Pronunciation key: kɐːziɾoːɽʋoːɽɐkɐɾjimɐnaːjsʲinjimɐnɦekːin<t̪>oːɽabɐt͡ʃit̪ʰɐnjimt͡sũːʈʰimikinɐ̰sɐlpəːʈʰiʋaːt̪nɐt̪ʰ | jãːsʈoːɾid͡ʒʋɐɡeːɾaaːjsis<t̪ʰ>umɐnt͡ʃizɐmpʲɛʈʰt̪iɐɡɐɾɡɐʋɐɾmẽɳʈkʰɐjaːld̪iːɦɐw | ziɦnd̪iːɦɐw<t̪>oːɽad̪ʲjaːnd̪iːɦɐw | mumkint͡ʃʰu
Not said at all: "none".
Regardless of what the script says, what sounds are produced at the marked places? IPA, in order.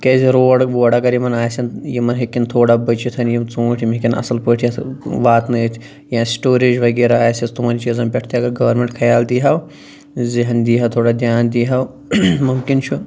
t̪ʰ, t̪, t̪ʰ

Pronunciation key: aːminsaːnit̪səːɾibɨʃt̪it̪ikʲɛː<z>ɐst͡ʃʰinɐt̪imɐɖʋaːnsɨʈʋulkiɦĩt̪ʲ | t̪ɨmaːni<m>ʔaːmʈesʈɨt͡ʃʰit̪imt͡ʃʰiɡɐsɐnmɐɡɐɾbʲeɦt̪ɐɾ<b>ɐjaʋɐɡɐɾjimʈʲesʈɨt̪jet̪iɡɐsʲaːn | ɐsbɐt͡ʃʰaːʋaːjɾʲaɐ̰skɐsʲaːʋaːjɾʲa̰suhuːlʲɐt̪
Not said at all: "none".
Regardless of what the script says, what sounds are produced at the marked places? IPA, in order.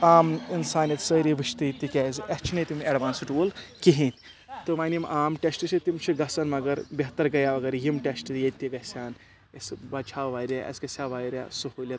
z, m, ɡ

